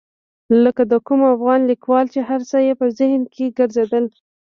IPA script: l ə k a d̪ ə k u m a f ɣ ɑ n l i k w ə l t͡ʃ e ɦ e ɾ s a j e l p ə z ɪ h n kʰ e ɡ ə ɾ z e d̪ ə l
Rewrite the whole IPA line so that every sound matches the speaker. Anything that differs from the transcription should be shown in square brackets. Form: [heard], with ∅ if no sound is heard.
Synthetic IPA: l ə k a d̪ ə k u m a f ɣ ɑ n l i k w [ɑ] l t͡ʃ e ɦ [a] ɾ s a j e [∅] p ə z ɪ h n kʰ e ɡ ə ɾ z e d̪ ə l